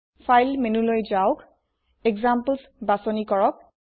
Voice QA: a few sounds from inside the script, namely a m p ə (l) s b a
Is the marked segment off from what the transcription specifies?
no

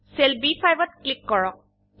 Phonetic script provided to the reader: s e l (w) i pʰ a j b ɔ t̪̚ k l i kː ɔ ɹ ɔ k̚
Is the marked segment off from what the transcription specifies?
yes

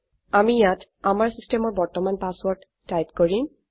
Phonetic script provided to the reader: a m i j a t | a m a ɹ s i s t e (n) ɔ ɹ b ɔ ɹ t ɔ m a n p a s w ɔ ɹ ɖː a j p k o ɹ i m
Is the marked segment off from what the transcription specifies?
yes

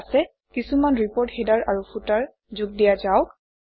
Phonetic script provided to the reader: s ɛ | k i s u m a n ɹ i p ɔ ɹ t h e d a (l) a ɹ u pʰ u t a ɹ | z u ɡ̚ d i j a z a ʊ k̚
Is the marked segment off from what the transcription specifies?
yes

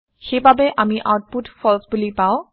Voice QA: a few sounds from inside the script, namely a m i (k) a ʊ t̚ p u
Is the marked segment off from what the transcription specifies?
yes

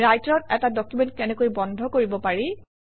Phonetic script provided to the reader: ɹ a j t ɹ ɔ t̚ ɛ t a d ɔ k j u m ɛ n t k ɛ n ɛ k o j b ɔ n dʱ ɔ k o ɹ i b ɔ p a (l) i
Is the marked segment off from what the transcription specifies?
yes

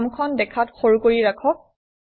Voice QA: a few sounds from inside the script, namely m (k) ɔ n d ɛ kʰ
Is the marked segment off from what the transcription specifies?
yes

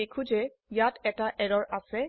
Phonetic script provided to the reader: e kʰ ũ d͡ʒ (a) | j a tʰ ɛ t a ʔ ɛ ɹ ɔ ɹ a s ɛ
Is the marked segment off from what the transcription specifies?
yes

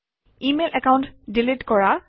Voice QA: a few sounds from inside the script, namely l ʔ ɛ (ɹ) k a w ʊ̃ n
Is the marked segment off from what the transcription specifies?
yes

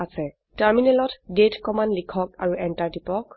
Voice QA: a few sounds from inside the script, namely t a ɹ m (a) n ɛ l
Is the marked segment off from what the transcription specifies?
yes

